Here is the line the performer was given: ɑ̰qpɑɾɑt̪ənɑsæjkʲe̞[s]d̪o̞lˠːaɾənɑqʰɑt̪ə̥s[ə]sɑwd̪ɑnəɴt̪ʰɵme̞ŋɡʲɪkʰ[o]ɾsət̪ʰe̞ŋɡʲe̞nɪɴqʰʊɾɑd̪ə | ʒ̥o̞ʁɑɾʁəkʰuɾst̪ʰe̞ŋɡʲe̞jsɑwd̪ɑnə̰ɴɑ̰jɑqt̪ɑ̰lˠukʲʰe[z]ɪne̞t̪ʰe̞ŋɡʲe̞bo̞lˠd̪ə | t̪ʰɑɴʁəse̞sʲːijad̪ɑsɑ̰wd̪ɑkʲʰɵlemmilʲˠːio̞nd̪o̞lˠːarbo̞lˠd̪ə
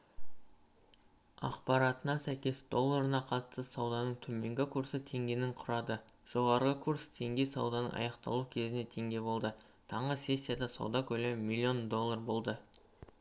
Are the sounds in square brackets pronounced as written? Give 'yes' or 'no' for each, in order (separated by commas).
yes, yes, no, yes